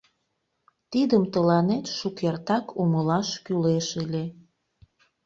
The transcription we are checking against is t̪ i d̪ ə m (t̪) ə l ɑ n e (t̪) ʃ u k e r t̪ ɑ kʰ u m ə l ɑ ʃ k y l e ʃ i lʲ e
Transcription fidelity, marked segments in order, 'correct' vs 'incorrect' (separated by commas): correct, correct